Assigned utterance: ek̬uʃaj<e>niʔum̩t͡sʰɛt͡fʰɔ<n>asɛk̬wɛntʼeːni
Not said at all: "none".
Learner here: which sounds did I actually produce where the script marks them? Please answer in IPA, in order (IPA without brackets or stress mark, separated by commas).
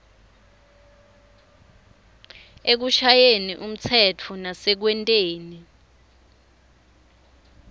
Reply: e, n